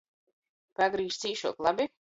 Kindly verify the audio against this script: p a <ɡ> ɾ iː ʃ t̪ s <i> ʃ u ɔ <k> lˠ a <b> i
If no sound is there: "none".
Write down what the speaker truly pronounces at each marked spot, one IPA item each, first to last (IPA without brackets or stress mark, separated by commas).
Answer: ɡ, iː, k, b